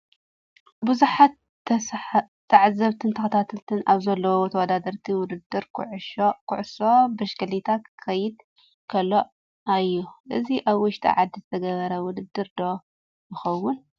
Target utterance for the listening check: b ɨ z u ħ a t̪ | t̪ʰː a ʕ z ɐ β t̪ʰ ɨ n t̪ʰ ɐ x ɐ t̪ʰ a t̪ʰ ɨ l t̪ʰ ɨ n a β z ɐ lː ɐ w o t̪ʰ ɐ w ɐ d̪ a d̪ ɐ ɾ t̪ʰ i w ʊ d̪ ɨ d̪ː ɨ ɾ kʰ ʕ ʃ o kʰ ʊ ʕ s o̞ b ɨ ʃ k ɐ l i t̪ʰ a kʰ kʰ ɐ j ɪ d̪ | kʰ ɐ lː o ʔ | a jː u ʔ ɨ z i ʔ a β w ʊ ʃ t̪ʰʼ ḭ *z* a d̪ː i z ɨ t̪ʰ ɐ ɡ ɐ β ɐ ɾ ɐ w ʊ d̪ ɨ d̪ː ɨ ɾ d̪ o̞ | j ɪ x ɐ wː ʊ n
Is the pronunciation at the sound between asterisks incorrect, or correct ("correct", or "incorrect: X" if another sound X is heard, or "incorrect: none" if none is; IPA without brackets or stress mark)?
incorrect: ʕ